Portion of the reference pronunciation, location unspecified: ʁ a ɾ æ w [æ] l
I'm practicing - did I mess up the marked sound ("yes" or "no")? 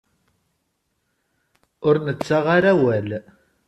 no